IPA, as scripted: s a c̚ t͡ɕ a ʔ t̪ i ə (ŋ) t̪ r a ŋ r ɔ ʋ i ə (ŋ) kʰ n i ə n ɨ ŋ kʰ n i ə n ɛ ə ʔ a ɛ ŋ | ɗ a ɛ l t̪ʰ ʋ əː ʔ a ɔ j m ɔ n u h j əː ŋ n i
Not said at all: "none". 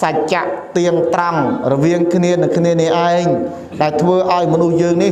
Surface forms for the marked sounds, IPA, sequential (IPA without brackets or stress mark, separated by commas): ŋ, ŋ